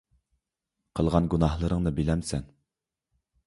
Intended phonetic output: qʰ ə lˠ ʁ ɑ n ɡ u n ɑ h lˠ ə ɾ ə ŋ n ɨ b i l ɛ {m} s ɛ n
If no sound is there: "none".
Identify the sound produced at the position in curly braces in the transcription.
m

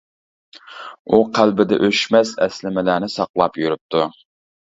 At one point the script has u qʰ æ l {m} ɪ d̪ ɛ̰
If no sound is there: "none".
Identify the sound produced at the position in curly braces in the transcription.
b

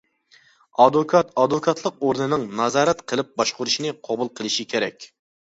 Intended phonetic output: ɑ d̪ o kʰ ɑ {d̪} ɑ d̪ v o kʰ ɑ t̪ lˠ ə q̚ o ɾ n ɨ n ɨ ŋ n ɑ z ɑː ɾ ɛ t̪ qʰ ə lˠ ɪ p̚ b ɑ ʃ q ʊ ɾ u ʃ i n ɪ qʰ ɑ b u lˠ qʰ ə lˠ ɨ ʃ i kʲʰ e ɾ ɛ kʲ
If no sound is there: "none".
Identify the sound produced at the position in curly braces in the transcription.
t̪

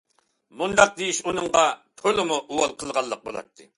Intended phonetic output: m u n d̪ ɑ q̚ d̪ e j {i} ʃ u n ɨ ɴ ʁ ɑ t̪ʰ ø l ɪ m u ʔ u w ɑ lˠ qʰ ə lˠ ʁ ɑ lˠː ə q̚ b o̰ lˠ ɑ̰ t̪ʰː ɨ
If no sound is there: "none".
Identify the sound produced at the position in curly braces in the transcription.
i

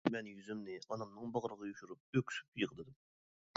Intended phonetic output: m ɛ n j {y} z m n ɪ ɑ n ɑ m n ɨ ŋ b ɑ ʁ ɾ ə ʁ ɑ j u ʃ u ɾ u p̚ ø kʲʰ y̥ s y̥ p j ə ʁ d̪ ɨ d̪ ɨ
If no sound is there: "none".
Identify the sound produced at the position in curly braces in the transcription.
y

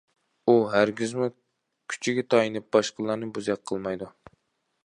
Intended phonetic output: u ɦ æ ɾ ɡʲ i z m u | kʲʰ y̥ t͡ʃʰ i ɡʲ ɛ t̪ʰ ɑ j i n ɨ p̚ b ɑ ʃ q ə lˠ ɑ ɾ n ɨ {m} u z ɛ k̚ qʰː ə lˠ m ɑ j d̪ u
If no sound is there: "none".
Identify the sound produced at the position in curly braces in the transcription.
b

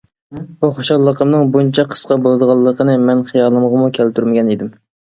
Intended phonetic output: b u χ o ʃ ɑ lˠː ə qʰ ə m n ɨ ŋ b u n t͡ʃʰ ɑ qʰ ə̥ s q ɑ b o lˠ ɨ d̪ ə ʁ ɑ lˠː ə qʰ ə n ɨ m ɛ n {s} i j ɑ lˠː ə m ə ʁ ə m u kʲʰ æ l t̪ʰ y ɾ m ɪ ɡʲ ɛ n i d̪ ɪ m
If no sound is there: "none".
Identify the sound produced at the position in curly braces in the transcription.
χ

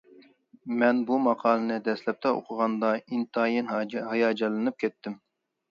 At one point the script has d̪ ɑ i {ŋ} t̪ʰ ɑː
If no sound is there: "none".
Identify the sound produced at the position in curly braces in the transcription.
n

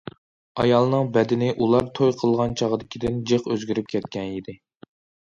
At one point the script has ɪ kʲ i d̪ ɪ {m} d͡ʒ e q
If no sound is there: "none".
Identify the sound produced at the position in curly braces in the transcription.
n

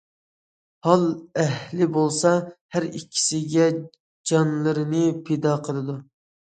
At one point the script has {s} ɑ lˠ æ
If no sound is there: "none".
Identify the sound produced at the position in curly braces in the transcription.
h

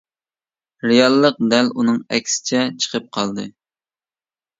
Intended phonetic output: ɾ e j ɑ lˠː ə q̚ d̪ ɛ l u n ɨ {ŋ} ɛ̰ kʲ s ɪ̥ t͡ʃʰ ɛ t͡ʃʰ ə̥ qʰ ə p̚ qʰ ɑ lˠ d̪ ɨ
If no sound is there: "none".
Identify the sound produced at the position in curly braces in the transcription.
ŋ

